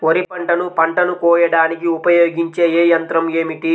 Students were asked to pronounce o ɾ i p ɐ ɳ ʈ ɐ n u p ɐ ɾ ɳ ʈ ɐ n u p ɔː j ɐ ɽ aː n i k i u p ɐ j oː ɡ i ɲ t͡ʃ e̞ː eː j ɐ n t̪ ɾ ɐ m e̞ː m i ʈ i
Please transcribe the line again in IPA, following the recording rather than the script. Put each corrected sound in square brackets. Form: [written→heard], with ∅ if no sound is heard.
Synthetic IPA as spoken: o ɾ i p ɐ ɳ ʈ ɐ n u p ɐ [ɾ→∅] ɳ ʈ ɐ n u [p→k] ɔː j ɐ ɽ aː n i k i u p ɐ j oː ɡ i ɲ t͡ʃ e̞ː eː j ɐ n t̪ ɾ ɐ m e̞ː m i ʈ i